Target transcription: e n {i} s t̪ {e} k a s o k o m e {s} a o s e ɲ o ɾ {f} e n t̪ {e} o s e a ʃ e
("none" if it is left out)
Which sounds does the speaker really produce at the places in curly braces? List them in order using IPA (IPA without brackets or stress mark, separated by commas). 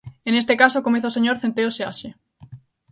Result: e, e, θ, θ, e